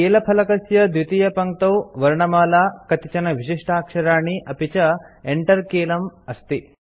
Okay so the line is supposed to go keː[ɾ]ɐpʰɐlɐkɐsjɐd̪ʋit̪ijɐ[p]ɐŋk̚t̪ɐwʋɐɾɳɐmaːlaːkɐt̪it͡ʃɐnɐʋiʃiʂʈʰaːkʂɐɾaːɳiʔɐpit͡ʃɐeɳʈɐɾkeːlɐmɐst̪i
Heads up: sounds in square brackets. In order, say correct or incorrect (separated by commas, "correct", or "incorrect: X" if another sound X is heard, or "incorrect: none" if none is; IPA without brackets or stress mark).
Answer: incorrect: l, correct